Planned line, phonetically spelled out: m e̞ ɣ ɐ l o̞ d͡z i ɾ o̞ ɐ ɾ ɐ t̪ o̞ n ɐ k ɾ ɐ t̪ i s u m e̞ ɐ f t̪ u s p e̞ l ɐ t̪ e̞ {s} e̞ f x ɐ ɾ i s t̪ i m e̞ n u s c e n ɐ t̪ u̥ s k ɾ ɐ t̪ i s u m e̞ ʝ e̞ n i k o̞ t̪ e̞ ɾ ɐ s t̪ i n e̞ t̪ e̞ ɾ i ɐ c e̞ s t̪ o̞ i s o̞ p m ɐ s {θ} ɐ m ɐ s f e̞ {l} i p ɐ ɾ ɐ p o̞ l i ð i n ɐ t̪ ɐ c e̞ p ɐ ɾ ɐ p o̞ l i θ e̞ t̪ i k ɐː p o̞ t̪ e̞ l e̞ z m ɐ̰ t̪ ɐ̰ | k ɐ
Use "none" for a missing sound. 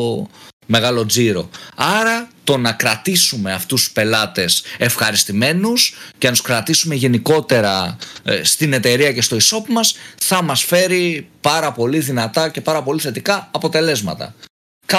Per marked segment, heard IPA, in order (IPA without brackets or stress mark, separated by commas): s, θ, ɾ